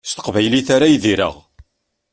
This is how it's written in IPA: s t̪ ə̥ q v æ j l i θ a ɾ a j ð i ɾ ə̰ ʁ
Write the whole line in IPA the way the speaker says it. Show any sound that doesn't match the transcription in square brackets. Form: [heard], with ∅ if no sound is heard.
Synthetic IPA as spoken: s t̪ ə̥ q v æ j l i θ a ɾ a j ð i ɾ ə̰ ʁ

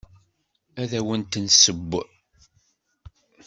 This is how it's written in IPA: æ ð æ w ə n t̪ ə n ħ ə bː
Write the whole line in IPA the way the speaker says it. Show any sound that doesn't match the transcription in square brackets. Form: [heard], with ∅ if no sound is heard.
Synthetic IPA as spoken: æ ð æ w ə n t̪ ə n [s] ə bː

